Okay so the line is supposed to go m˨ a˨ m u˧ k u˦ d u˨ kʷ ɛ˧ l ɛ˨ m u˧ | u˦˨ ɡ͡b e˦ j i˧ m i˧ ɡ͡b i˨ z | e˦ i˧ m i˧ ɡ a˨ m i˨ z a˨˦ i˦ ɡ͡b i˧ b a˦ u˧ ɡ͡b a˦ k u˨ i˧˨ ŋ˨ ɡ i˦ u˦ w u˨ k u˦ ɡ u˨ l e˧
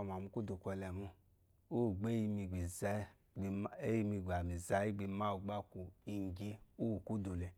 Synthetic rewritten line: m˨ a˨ m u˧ k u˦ d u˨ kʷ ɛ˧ l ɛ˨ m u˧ | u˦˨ ɡ͡b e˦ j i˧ m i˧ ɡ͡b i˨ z | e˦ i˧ m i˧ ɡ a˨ m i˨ z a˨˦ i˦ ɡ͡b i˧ m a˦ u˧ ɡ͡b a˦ k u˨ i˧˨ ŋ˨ ɡ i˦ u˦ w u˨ k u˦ d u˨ l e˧

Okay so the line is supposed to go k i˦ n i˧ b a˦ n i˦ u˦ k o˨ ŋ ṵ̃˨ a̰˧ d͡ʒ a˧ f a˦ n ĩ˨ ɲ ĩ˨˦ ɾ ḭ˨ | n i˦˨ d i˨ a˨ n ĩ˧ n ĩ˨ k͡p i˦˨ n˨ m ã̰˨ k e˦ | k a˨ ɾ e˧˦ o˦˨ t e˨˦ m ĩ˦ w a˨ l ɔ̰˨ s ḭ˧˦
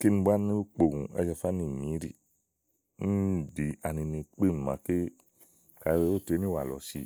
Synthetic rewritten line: k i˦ n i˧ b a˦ n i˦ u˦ k͡p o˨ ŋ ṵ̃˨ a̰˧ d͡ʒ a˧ f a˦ n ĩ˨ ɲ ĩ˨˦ ɾ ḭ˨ | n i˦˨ d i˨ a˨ n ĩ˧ n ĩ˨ k͡p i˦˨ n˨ m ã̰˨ k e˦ | k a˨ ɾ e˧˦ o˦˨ t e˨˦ n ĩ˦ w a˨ l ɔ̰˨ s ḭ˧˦

